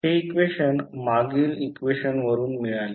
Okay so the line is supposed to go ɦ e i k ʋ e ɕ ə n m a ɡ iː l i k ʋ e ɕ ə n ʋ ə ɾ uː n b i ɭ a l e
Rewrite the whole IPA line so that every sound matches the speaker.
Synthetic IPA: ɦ e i k ʋ e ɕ ə n m a ɡ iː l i k ʋ e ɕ ə n ʋ ə ɾ uː n m i ɭ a l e